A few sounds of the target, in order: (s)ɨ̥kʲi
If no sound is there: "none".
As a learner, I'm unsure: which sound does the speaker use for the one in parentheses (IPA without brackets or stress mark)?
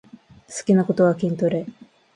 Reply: s